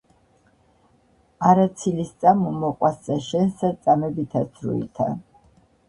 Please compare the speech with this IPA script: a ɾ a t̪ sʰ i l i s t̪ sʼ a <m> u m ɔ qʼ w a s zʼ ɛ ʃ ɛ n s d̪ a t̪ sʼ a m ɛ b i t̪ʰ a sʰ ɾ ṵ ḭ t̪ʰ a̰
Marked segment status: correct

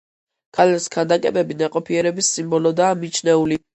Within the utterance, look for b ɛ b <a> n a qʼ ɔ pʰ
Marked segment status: incorrect: i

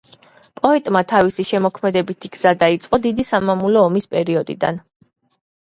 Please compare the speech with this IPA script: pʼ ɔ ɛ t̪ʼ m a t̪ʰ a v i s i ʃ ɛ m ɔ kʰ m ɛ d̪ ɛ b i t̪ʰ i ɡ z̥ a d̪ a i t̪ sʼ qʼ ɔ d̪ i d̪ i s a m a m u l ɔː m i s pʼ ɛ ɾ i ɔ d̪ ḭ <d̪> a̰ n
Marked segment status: correct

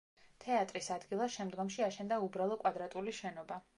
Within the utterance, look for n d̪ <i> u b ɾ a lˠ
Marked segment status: incorrect: a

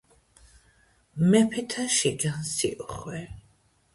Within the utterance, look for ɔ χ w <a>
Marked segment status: incorrect: ɛ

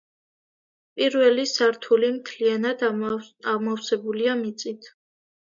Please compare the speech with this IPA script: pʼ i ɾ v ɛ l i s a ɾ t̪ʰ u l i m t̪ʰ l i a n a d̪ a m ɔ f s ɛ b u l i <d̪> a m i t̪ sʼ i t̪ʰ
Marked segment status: incorrect: none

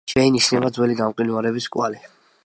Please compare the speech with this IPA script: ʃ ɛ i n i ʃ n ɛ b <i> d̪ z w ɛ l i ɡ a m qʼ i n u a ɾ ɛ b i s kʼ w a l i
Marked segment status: incorrect: a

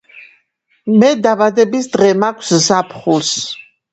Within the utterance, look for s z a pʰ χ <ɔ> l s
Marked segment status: incorrect: u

